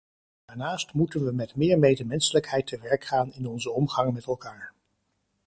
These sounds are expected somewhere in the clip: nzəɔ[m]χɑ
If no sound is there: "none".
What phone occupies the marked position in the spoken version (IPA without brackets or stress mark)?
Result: m